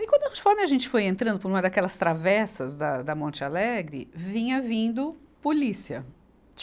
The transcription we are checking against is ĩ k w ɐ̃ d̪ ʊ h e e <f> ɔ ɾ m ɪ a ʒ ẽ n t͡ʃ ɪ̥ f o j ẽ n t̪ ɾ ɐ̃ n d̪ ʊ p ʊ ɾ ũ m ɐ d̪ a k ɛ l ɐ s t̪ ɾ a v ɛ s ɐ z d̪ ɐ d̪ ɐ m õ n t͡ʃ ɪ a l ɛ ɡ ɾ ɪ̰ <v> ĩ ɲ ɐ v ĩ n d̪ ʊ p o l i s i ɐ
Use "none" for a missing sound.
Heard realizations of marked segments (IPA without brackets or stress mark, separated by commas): f, v